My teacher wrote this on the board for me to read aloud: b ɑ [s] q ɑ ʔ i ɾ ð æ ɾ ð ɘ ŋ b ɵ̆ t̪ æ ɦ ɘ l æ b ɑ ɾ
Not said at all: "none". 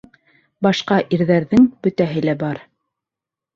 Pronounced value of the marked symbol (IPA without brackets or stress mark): ʃ